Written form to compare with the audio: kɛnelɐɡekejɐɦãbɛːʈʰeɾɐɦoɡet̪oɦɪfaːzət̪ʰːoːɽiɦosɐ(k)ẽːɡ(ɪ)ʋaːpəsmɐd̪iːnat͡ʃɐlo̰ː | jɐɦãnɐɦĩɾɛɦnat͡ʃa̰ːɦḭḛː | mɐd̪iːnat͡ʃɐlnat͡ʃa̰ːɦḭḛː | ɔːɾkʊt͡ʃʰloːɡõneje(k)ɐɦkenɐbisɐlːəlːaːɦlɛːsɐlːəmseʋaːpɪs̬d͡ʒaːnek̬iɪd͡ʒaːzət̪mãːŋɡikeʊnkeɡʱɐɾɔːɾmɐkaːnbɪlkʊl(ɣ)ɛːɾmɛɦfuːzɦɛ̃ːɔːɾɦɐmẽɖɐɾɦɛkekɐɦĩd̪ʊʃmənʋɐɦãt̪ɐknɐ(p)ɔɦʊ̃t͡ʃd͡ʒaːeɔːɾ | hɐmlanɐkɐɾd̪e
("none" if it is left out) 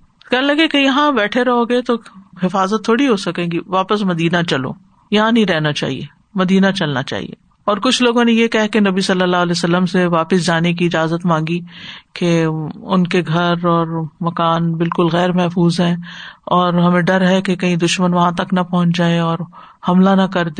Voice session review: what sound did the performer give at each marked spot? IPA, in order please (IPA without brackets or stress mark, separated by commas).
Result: k, i, k, ɣ, p